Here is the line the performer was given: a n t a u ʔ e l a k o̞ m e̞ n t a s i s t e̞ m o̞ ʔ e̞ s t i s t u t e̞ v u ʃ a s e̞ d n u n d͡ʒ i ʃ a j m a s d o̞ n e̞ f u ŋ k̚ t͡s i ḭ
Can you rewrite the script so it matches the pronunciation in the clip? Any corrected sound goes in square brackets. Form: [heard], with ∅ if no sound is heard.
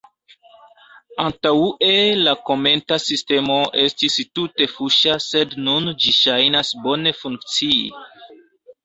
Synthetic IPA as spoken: a n t a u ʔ e l a k o̞ m e̞ n t a s i s t e̞ m o̞ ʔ e̞ s t i s t u t e̞ [f] u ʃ a s e̞ d n u n d͡ʒ i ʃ a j [n] a s [b] o̞ n e̞ f u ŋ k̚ t͡s i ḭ